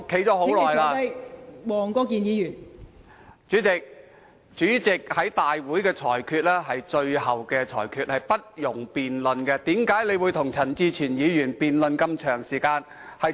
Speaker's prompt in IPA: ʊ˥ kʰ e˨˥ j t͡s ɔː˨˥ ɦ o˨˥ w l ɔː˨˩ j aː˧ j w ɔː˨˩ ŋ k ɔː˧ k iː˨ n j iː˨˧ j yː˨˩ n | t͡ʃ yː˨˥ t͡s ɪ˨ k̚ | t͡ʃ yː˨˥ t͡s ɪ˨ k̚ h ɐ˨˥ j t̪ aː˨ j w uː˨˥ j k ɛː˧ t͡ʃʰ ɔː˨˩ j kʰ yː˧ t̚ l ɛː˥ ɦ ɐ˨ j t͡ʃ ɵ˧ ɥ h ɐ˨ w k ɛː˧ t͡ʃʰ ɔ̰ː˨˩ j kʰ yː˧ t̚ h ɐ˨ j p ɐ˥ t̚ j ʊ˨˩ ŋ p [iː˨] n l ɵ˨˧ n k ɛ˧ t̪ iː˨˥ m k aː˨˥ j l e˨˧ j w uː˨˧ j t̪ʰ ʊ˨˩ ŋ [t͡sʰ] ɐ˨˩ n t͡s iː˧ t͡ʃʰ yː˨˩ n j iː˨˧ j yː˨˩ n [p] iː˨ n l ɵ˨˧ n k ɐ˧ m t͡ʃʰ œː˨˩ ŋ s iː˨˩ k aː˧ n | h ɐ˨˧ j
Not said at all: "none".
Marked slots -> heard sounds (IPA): iː˨, t͡sʰ, p

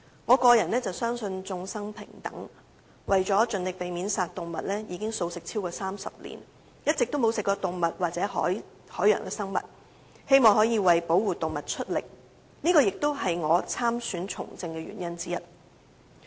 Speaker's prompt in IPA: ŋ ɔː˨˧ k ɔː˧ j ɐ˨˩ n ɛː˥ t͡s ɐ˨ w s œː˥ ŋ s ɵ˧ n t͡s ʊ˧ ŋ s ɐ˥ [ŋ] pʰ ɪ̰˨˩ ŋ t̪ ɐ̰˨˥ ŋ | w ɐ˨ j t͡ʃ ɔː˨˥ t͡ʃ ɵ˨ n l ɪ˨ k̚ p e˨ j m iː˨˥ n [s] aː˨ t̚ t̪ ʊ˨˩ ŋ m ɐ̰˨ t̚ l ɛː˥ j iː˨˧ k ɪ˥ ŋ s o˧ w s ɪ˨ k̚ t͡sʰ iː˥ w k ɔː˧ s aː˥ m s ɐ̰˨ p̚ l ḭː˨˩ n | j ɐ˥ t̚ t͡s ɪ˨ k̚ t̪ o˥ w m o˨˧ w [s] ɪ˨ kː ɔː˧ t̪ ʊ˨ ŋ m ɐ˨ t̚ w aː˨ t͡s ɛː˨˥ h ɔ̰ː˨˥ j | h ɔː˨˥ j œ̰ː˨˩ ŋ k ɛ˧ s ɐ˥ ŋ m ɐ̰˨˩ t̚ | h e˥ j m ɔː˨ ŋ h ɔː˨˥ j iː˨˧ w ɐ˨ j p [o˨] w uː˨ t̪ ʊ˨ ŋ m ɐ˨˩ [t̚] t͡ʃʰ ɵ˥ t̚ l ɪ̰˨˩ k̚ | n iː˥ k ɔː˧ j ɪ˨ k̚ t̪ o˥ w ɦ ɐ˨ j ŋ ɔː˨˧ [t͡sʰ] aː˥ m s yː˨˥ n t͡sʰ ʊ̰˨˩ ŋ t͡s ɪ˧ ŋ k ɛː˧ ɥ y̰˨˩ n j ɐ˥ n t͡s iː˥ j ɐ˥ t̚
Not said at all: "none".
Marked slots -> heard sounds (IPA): ŋ, s, s, o˨˥, t̚, t͡sʰ

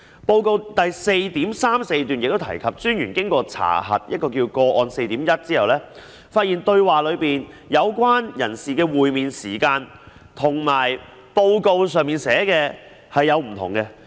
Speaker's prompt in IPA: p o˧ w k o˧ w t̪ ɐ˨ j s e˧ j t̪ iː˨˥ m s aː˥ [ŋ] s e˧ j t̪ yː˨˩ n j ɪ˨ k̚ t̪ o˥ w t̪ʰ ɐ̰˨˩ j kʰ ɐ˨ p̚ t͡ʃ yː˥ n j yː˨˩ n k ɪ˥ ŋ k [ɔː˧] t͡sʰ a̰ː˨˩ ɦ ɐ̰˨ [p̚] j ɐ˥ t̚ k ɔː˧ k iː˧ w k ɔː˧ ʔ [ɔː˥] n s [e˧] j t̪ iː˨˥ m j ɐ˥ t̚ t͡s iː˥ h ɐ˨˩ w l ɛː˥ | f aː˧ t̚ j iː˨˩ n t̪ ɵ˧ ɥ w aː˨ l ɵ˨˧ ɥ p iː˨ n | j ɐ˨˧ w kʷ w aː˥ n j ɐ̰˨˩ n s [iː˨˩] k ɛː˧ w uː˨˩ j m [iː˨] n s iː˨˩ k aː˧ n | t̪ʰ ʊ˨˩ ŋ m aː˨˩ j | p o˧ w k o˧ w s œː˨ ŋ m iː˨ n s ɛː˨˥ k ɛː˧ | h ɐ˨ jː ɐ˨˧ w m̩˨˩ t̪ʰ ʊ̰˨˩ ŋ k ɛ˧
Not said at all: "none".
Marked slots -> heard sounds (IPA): m, ɔː˧, t̚, ɔː˧, e˧, iː˨˩, iː˨

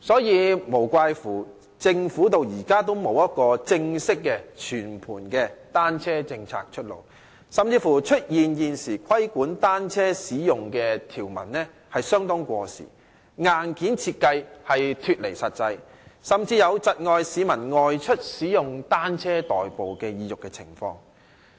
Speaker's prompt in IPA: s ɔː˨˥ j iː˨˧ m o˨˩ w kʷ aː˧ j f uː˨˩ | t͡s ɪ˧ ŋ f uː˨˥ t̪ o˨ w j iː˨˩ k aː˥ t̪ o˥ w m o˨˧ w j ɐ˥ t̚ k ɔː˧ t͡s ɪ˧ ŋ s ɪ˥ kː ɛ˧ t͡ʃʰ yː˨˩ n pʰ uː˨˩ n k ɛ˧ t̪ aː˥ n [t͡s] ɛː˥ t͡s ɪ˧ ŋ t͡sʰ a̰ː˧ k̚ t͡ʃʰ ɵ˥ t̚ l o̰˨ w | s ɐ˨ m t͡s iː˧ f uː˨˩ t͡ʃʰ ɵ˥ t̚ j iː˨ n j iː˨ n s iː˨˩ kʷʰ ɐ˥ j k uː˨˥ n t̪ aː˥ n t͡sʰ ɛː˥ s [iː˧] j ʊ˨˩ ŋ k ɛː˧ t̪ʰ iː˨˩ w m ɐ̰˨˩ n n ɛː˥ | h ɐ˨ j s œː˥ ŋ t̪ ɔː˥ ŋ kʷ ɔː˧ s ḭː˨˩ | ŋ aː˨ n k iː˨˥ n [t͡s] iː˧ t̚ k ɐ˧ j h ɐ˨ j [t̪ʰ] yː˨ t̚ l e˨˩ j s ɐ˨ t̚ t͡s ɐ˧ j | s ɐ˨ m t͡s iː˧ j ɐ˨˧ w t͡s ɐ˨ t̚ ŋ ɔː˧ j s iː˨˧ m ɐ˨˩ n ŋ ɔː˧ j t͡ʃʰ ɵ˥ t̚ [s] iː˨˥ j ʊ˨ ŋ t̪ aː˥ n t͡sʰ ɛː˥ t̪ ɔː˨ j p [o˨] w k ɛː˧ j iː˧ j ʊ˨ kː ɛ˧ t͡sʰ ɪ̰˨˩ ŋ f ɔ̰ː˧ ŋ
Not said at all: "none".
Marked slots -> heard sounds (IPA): t͡sʰ, iː˨˥, t͡sʰ, t̪ʰ, s, o˨

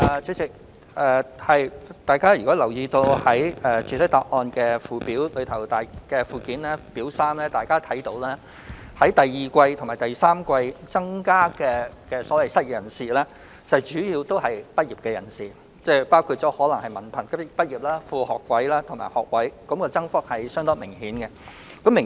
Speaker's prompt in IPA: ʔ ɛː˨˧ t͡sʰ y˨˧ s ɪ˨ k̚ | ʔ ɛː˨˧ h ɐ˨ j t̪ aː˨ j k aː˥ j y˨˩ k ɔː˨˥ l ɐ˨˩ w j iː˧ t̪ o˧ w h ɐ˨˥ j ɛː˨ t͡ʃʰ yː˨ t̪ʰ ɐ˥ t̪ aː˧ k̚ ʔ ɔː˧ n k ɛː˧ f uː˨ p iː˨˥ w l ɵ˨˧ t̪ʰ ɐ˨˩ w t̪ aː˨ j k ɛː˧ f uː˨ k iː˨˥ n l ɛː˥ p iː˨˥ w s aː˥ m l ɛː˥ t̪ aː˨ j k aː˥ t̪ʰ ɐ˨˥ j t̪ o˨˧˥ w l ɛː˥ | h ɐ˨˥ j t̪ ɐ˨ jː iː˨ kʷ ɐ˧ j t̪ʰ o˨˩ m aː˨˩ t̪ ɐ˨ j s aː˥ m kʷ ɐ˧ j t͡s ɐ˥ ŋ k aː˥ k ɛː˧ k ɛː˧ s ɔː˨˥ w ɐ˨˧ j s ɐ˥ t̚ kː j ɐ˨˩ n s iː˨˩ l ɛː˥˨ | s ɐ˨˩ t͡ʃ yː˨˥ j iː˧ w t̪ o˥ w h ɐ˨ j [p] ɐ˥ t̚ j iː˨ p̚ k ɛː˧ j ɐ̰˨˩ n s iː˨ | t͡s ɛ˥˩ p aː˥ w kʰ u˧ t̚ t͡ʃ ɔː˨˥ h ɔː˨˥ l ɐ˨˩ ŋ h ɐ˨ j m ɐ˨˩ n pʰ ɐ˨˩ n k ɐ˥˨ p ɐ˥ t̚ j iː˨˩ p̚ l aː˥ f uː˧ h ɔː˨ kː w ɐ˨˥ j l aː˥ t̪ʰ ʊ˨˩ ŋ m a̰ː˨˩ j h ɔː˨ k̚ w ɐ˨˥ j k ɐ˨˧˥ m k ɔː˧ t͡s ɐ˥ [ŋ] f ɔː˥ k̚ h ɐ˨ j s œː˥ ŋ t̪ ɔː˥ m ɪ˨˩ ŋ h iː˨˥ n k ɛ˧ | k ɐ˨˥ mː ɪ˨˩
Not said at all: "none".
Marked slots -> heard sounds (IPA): p, ŋ

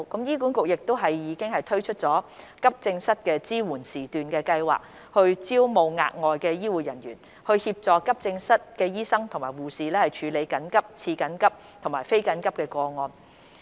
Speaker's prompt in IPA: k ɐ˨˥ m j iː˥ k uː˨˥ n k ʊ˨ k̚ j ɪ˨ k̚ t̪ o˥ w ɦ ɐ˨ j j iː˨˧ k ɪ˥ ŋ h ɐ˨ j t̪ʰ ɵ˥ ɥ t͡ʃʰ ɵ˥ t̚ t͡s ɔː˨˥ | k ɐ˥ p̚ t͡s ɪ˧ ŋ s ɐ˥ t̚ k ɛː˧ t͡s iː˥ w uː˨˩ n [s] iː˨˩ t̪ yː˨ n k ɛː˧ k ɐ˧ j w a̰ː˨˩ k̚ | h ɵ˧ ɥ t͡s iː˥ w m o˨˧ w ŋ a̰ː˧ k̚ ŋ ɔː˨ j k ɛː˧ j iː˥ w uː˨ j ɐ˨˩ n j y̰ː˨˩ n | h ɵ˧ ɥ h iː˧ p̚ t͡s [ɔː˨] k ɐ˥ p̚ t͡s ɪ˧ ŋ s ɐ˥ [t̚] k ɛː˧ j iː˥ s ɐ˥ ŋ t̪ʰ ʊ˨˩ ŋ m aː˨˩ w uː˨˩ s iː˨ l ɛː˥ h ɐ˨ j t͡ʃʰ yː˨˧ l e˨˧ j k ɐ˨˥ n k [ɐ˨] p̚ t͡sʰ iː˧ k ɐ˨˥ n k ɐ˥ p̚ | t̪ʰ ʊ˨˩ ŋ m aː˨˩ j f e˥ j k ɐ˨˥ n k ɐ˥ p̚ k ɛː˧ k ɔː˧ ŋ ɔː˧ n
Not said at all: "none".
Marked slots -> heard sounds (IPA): s, ɔː˨, t̚, ɐ˥

